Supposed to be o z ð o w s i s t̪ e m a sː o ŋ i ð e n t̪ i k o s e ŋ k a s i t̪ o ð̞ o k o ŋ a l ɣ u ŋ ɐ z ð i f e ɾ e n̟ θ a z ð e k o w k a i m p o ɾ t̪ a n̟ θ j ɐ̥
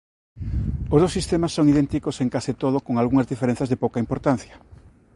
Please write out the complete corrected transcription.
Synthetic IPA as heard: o z ð o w s i s t̪ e m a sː o ŋ i ð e n t̪ i k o s e ŋ k a s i t̪ o ð̞ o k o ŋ a l ɣ u ŋ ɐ z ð i f e ɾ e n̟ θ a z ð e p o w k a i m p o ɾ t̪ a n̟ θ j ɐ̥